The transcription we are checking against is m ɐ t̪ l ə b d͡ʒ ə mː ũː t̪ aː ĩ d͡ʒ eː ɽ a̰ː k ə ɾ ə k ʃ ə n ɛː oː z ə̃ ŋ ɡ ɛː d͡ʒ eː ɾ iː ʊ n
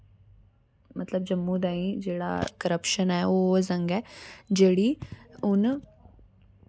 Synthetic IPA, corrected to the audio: m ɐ t̪ l ə b d͡ʒ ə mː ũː d̪ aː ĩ d͡ʒ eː ɽ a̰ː k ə ɾ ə p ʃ ə n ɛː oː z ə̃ ŋ ɡ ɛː d͡ʒ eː ɽ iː ʊ n